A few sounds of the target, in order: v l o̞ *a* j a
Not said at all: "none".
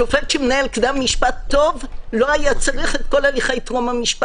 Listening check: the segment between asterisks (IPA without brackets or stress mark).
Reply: a